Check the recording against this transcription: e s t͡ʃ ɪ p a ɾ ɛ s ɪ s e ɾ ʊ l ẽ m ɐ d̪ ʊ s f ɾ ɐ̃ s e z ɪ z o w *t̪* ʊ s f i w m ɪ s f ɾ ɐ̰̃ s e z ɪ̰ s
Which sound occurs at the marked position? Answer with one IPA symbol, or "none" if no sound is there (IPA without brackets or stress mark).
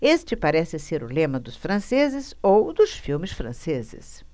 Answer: d̪